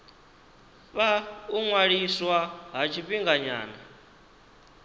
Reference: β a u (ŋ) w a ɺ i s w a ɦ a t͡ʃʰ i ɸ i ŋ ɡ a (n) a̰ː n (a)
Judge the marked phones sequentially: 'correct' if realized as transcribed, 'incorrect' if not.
correct, incorrect: ɲ, correct

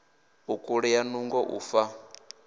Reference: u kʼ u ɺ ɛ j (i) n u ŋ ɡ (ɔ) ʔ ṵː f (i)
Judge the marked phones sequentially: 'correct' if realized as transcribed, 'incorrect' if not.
incorrect: a, correct, incorrect: a

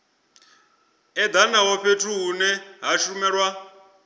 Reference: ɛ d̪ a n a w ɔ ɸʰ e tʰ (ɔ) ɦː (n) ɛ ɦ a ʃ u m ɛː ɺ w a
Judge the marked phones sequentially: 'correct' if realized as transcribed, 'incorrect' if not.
incorrect: u, correct

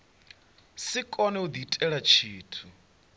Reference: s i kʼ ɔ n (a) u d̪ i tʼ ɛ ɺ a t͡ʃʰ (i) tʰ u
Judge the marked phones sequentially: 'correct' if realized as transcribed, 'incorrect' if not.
incorrect: ɛ, incorrect: iː

